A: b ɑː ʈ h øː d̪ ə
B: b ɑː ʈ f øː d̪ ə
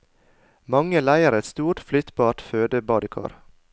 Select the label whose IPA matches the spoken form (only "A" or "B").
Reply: B